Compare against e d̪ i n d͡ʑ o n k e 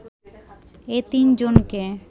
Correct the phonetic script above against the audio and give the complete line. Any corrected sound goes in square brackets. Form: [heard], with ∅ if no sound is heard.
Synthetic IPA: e [t̪] i n d͡ʑ o n k e